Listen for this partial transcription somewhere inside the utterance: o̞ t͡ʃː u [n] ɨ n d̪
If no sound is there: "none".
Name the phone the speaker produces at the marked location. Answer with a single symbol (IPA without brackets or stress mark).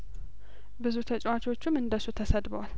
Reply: m